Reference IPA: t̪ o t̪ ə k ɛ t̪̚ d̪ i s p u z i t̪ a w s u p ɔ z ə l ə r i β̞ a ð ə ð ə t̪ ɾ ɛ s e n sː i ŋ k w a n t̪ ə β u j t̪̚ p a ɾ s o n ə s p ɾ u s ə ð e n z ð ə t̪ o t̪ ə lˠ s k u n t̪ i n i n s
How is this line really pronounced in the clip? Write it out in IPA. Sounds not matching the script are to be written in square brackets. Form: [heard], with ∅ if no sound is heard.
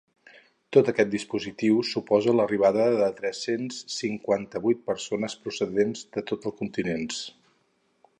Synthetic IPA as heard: t̪ o t̪ ə k ɛ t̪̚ d̪ i s p u z i t̪ [i] w s u p ɔ z ə l ə r i β̞ a ð ə ð ə t̪ ɾ ɛ s e n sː i ŋ k w a n t̪ ə β u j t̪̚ p [ə] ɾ s o n ə s p ɾ u s ə ð e n z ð ə t̪ o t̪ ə lˠ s k u n t̪ i n [e] n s